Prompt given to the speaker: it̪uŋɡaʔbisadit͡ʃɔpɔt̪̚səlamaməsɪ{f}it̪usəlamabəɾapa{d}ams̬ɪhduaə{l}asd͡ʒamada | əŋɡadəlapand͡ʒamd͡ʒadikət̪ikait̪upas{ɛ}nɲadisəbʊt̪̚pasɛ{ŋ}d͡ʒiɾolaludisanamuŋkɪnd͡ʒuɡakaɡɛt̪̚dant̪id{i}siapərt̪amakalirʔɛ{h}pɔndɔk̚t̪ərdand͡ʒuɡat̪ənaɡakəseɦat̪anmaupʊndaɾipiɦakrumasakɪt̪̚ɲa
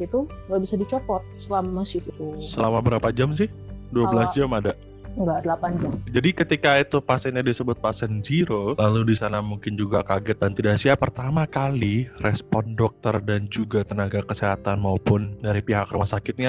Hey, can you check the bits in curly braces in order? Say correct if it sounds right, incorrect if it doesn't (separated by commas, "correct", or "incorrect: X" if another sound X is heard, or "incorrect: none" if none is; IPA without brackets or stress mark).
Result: correct, incorrect: d͡ʒ, correct, correct, incorrect: n, incorrect: a, incorrect: s